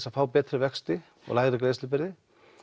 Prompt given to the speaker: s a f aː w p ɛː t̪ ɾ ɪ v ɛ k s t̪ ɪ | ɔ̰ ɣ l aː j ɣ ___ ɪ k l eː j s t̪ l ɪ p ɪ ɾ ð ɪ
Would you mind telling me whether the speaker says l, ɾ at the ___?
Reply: ɾ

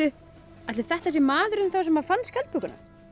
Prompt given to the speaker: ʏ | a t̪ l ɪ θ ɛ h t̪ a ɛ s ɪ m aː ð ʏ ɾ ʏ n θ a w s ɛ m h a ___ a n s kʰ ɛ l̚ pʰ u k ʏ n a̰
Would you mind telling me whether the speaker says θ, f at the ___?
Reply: f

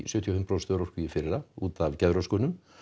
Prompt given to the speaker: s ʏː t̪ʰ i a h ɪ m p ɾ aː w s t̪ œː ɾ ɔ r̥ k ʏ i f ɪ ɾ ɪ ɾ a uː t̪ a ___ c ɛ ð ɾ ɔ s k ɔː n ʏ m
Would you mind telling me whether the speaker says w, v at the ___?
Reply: v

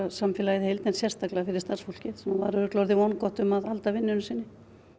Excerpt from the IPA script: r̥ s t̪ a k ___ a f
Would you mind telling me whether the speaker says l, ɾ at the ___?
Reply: l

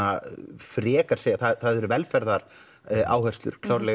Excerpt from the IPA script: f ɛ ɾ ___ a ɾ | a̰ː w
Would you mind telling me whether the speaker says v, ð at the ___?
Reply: ð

